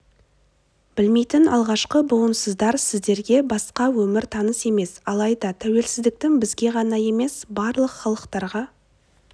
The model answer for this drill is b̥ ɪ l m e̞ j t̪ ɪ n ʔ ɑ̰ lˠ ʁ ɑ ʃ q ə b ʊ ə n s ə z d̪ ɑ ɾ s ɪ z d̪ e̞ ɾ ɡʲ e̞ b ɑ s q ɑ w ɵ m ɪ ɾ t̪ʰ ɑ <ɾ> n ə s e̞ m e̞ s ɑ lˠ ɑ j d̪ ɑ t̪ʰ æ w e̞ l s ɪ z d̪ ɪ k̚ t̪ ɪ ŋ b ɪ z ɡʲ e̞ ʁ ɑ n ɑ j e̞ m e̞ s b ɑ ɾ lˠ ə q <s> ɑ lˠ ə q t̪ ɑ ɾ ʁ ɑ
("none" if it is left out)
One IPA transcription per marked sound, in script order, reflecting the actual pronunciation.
none, χ

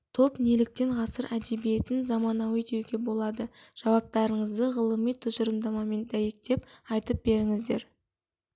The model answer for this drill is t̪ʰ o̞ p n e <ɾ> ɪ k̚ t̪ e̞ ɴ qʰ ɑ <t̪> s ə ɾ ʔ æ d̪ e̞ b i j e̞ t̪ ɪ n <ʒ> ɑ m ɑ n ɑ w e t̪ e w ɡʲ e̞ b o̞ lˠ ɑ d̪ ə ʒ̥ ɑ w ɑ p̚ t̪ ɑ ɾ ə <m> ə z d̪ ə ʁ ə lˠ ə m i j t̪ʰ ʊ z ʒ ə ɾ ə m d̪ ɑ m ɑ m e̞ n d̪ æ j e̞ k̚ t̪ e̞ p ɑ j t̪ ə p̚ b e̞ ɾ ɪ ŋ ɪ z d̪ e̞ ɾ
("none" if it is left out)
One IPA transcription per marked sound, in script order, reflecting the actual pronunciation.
l, none, z, ɴ

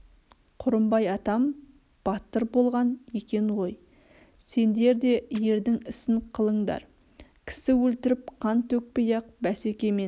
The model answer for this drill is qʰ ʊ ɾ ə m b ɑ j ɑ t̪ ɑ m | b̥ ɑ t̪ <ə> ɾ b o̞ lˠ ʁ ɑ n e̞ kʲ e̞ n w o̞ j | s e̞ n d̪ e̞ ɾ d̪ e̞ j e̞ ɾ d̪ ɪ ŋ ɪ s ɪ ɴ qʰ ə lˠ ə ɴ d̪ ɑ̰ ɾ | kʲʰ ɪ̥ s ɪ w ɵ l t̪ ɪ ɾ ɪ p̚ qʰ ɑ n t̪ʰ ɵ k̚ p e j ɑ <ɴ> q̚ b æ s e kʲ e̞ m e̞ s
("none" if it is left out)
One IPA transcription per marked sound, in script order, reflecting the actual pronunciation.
ə, none

